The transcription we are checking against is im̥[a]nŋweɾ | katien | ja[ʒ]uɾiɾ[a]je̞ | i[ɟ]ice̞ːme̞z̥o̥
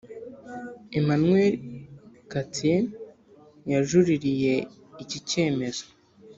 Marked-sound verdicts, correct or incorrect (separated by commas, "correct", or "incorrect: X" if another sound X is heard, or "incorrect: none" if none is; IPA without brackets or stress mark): correct, correct, incorrect: i, incorrect: c